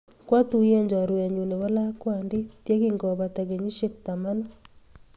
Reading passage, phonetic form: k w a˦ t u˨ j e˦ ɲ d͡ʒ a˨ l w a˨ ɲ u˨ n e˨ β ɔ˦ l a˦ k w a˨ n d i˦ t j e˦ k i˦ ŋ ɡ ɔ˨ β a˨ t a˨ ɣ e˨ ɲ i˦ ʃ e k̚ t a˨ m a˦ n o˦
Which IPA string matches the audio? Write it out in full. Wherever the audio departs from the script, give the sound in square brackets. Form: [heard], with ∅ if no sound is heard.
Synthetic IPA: k w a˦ t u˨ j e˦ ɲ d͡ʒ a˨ [ɾ] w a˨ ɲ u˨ n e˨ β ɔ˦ l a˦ k w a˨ n d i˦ t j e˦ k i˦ ŋ ɡ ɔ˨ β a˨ t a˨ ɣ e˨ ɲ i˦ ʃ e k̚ t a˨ m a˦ n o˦